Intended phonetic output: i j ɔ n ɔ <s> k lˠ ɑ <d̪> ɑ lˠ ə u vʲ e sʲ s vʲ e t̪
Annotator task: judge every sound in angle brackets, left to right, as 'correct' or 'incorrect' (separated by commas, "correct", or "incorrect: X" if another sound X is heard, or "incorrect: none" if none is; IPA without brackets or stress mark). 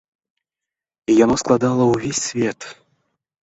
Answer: correct, correct